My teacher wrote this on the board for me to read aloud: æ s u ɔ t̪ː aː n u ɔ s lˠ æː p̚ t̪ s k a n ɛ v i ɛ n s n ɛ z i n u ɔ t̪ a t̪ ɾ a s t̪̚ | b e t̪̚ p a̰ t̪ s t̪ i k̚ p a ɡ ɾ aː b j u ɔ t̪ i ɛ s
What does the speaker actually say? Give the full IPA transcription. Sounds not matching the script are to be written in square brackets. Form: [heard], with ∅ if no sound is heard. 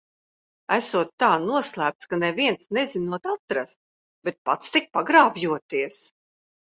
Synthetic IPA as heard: æ s u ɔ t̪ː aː n u ɔ s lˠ æː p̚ t̪ s k a n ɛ v i ɛ n s n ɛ z i n u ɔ t̪ a t̪ ɾ a s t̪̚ | b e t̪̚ p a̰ t̪ s t̪ i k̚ p a ɡ ɾ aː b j u ɔ t̪ i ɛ s

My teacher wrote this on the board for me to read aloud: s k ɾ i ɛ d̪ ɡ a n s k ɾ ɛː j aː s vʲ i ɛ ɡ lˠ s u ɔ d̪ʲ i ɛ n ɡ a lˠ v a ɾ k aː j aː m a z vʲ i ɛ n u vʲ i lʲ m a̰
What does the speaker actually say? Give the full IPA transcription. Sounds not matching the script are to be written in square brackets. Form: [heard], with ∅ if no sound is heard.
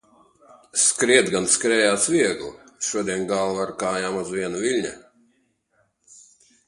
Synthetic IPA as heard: s k ɾ i ɛ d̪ ɡ a n s k ɾ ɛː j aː s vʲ i ɛ ɡ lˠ [ʃ] u ɔ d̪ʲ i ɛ n ɡ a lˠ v a ɾ k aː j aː m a z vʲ i ɛ n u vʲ i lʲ [ɲ] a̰

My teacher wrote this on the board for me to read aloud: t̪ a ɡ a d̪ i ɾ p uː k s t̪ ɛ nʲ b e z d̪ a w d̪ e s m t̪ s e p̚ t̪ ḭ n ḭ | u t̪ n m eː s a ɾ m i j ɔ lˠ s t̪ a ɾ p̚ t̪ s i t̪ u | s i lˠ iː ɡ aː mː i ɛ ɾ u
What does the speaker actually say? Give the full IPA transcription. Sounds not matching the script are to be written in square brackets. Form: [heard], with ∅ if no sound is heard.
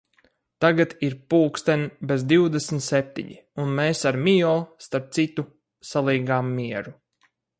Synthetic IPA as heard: t̪ a ɡ a [t̪] i ɾ p uː k s t̪ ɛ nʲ b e z d̪ [i] w d̪ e s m t̪ s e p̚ t̪ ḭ [ɲ] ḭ | u [∅] n m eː s a ɾ m i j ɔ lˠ s t̪ a ɾ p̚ t̪ s i t̪ u | s [a] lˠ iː ɡ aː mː i ɛ ɾ u

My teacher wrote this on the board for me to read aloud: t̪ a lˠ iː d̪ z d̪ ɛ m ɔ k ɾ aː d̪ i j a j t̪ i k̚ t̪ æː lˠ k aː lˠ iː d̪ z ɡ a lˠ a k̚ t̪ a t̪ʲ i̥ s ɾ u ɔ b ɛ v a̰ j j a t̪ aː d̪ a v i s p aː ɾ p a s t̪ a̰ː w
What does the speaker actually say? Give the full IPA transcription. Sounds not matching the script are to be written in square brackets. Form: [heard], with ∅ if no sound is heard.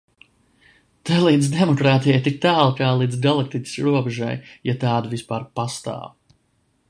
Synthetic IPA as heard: t̪ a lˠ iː d̪ z d̪ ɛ m ɔ k ɾ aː [t̪] i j a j t̪ i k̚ t̪ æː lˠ k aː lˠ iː d̪ z ɡ a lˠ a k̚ t̪ [i] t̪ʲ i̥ s ɾ u ɔ b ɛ [ʒ] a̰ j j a t̪ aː d̪ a v i s p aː ɾ p a s t̪ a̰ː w

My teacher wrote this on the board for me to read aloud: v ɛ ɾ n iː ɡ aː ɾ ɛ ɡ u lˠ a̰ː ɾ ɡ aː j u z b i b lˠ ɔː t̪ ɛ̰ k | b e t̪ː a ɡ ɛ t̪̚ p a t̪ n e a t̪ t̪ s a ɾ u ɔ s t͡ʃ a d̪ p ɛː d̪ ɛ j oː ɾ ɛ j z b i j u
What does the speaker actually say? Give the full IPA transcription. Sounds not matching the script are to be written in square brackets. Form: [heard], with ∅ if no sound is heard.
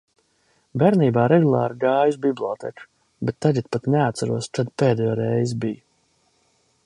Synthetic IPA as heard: [b] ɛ ɾ n iː [b] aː ɾ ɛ ɡ u lˠ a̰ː ɾ ɡ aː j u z b i b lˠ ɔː t̪ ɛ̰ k | b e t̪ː a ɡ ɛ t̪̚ p a t̪ n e a t̪ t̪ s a ɾ u ɔ s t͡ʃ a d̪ p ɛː d̪ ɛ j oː ɾ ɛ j z b i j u

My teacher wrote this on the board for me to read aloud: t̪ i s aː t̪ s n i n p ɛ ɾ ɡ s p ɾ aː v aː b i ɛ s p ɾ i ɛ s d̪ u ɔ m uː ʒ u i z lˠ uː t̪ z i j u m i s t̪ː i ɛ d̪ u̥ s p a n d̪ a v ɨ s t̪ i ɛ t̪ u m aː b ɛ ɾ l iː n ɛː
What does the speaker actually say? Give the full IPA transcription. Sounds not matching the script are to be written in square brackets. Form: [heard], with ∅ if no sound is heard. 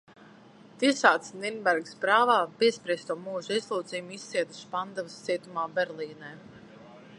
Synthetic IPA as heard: t̪ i s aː t̪ s n i n [b] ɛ ɾ ɡ s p ɾ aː v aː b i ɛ s p ɾ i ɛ s [t̪] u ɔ m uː ʒ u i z lˠ uː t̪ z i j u m i s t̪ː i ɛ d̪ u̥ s p a n d̪ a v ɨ s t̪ i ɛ t̪ u m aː b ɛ ɾ l iː n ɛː

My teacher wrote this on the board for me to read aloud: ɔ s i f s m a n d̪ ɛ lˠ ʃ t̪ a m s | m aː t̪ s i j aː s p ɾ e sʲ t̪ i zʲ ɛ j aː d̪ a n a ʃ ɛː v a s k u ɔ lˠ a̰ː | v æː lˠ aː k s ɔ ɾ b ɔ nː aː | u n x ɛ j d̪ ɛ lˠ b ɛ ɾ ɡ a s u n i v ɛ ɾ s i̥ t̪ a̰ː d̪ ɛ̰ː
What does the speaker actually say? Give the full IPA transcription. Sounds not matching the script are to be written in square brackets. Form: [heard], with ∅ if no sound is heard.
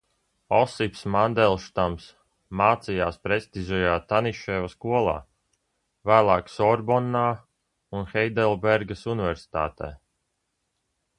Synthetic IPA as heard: ɔ s i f s m a n d̪ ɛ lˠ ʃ t̪ a m s | m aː t̪ s i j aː s p ɾ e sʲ t̪ i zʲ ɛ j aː [t̪] a n [i] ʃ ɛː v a s k u ɔ lˠ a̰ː | v æː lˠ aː k s ɔ ɾ b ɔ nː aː | u n x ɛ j d̪ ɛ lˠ b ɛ ɾ ɡ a s u n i v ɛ ɾ s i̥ t̪ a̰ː [t̪] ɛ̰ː

